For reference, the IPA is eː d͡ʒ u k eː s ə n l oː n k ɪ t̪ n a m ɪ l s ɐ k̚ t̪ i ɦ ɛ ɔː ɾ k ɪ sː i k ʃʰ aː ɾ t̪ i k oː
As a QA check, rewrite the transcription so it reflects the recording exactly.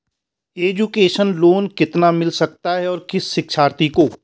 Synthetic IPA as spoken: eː d͡ʒ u k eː ʃ ə n l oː n k ɪ t̪ n a m ɪ l s ɐ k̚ t̪ a ɦ ɛ ɔː ɾ k ɪ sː ɪ k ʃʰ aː ɾ t̪ i k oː